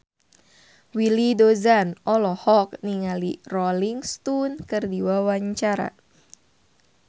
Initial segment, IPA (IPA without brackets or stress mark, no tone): w